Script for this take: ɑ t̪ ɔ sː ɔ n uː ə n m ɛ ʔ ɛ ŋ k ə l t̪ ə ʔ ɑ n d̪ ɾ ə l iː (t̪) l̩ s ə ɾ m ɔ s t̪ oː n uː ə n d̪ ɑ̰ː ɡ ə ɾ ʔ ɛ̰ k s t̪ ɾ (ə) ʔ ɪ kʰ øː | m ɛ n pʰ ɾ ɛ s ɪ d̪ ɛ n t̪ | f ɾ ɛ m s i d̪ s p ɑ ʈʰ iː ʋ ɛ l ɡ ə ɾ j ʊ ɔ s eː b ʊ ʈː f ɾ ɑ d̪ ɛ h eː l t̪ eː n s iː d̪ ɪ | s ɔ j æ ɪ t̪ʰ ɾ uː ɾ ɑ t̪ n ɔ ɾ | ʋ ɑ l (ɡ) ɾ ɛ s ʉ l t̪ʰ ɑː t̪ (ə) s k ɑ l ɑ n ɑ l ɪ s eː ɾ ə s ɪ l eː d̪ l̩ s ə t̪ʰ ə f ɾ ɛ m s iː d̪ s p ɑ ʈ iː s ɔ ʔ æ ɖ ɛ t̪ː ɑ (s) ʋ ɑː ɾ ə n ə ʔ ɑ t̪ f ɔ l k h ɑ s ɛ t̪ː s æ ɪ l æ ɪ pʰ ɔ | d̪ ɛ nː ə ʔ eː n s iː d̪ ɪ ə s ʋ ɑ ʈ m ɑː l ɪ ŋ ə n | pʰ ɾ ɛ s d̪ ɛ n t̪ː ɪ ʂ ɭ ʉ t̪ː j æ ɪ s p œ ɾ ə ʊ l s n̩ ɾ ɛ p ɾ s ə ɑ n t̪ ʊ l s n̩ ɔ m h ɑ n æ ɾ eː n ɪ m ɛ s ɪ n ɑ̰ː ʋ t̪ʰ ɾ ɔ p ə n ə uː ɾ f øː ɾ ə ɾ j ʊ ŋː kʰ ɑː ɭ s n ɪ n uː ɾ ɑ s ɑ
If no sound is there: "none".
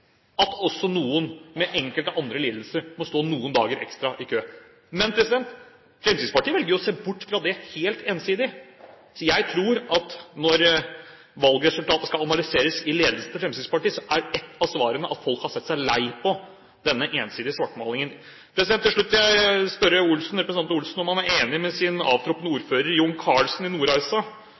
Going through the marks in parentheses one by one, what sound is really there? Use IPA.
d̪, ɑ, ɡ, ə, s

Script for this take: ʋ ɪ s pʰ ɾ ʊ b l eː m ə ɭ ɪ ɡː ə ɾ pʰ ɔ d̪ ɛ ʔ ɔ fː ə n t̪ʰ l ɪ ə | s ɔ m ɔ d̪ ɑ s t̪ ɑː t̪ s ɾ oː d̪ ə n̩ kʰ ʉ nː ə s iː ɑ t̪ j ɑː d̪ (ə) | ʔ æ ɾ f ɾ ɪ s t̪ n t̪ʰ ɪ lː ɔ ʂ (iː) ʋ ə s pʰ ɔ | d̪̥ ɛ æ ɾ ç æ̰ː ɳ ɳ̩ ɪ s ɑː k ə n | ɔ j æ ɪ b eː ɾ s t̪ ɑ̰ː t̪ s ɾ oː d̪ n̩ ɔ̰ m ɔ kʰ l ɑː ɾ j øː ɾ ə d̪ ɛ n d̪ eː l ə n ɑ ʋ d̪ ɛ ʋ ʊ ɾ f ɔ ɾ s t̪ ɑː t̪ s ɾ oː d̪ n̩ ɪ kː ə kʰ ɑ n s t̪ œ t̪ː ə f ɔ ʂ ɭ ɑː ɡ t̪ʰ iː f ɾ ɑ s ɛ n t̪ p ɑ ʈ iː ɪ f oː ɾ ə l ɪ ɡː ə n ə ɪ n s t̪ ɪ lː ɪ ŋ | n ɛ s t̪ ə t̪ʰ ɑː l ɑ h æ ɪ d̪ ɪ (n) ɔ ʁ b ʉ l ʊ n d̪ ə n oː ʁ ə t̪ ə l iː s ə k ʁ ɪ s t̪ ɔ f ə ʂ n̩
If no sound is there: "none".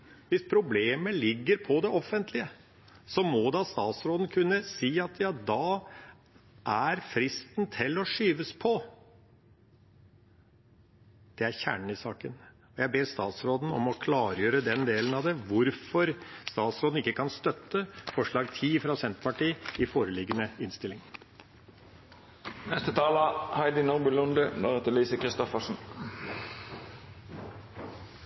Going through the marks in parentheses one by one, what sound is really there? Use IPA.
ɑ, yː, n

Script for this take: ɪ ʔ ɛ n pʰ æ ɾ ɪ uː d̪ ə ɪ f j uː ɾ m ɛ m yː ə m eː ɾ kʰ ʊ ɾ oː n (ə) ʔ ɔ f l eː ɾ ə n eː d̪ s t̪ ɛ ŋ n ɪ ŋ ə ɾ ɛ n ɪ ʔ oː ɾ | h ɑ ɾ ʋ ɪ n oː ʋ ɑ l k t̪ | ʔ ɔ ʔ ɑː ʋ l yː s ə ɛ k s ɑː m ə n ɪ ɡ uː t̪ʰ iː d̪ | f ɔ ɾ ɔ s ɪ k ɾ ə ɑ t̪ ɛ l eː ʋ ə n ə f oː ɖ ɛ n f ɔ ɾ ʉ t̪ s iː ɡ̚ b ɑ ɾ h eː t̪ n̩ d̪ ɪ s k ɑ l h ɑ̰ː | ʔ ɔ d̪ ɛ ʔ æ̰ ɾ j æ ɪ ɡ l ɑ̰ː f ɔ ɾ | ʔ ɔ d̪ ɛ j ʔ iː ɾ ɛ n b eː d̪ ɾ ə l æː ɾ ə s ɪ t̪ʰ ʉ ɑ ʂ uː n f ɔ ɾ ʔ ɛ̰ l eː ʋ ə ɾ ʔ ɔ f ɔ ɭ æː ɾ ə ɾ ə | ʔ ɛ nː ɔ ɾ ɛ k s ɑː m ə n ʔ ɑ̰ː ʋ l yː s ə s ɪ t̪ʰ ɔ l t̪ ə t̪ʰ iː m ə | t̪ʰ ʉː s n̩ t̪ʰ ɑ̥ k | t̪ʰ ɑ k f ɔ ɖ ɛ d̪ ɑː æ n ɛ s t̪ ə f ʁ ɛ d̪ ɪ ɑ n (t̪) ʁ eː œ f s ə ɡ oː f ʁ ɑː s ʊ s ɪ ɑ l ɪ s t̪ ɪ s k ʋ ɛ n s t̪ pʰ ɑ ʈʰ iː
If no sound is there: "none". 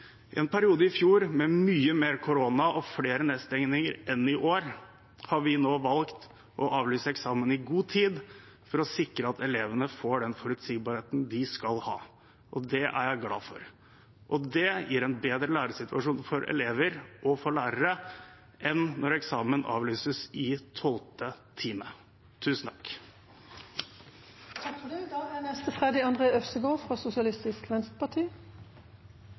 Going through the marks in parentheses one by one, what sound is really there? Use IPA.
ɑ, d̪

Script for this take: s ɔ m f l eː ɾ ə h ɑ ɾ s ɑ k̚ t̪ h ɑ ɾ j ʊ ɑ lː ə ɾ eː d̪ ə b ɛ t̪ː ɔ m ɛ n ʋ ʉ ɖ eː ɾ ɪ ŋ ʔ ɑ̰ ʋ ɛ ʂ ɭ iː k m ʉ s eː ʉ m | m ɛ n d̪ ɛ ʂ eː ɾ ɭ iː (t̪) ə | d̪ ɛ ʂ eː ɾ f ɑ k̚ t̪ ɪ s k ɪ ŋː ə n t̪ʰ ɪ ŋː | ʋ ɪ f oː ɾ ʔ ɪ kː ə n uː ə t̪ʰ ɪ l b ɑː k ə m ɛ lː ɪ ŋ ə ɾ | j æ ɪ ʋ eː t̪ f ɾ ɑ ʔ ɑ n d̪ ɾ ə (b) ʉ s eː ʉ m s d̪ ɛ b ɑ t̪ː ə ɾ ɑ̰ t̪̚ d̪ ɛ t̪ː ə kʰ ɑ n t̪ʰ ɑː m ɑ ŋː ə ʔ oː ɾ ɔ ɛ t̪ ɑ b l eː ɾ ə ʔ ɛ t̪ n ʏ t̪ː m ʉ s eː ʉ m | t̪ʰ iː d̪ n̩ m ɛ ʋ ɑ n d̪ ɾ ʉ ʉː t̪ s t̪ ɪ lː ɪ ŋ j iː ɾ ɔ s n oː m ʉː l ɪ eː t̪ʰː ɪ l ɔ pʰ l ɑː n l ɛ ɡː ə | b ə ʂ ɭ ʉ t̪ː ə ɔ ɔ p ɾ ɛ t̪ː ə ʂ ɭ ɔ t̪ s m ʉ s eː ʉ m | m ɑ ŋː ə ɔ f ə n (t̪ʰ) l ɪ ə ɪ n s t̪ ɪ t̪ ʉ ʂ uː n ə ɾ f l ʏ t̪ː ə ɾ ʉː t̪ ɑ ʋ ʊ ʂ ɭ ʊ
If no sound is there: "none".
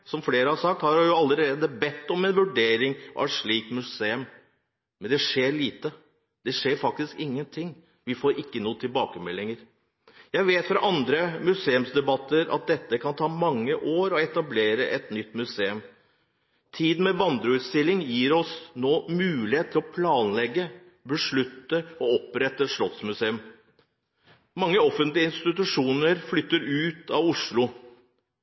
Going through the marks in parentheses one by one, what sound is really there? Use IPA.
t̪, m, t̪

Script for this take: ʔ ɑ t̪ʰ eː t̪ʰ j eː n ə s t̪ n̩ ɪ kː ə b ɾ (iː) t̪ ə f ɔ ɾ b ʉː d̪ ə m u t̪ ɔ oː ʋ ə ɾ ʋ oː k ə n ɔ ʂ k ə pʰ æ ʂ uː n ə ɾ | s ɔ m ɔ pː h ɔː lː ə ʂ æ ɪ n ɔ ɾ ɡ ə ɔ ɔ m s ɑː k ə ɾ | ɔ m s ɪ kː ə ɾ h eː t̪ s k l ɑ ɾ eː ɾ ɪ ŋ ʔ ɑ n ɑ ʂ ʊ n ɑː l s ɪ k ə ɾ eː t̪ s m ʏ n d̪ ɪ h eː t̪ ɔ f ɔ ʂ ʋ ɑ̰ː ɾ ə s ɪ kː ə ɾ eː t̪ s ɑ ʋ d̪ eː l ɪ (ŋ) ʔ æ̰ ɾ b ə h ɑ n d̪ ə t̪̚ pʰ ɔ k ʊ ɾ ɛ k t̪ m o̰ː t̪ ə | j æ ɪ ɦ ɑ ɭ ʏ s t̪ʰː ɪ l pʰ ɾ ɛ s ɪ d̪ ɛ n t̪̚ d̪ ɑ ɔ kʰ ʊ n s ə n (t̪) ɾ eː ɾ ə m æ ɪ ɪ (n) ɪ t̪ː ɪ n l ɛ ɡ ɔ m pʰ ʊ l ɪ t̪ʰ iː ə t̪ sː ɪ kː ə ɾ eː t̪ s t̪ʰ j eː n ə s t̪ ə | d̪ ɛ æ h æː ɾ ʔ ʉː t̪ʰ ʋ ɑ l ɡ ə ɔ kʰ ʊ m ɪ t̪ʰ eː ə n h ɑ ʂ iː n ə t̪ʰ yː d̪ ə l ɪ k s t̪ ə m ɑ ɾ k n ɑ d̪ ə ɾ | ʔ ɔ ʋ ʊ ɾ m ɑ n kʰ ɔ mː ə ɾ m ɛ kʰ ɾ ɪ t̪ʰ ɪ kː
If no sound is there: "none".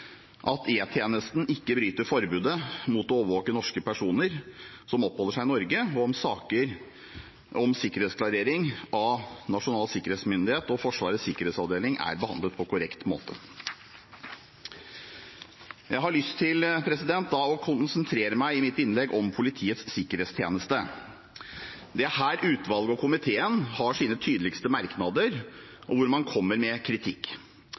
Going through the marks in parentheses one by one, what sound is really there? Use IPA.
yː, ŋ, t̪ʰ, m

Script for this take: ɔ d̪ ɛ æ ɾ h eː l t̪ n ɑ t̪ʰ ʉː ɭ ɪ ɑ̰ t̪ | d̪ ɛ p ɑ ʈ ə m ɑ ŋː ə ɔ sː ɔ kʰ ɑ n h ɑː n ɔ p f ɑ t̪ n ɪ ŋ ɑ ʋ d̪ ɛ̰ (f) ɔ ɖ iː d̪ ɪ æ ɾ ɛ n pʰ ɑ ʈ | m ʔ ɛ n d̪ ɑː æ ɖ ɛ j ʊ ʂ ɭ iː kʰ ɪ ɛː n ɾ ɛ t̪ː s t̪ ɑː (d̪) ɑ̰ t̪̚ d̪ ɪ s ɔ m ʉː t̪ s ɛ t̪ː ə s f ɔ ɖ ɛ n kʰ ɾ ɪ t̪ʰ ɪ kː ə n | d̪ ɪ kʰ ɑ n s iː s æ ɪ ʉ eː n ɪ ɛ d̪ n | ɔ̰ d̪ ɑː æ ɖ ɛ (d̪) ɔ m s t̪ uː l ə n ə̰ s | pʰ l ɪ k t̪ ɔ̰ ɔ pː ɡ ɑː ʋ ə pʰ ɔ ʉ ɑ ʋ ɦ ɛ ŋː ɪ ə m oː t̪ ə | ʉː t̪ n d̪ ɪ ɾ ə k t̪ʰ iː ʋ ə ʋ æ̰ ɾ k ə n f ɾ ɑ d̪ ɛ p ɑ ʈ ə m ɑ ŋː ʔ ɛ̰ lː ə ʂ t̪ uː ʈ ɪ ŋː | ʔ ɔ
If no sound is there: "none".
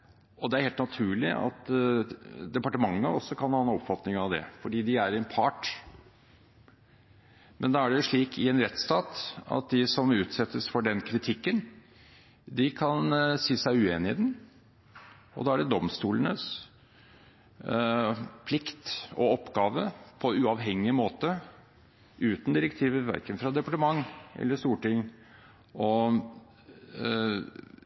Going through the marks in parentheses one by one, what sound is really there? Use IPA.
f, t̪, d̪

